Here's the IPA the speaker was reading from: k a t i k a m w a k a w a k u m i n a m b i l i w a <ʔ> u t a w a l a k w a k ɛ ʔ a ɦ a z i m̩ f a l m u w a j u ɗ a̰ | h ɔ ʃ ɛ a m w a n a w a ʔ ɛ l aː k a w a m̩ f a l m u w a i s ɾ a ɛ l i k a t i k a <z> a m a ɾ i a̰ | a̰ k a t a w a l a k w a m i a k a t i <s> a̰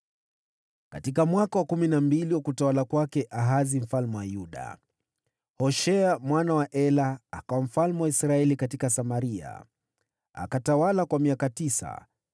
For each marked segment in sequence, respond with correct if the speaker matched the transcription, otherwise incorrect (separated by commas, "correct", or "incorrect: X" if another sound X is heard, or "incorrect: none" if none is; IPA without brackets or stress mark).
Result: incorrect: k, incorrect: s, correct